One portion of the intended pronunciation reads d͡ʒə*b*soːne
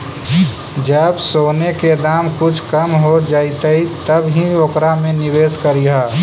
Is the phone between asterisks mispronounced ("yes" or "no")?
no